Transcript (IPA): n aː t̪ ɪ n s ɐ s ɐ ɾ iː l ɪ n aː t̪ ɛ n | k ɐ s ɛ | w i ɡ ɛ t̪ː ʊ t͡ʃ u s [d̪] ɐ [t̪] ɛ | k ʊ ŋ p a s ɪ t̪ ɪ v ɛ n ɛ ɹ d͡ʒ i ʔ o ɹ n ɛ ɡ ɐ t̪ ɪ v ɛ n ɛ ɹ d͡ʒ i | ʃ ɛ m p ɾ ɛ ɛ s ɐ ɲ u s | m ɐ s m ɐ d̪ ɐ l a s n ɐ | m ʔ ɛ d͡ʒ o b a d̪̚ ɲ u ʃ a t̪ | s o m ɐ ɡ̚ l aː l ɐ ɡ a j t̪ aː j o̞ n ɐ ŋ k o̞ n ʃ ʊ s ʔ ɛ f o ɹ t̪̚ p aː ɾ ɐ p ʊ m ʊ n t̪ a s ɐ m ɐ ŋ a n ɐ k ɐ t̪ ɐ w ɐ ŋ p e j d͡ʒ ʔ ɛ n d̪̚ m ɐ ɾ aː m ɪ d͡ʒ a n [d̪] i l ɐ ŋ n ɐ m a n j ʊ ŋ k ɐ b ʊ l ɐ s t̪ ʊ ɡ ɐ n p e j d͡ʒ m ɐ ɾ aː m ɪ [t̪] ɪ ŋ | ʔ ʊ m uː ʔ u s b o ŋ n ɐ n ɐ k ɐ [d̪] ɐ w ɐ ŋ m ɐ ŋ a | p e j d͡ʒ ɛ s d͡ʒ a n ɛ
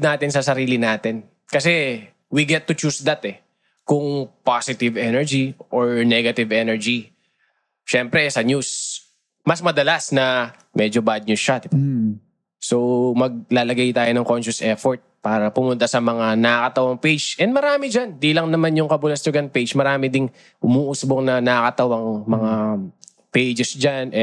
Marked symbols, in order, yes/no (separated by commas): yes, yes, yes, no, no